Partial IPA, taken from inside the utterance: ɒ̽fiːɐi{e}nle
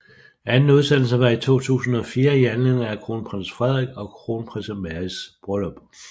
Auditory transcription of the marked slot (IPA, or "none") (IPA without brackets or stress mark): æ